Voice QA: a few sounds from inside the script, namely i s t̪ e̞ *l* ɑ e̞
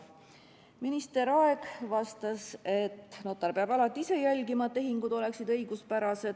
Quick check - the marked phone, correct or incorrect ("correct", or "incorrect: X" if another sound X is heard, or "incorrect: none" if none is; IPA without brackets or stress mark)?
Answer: incorrect: ɾ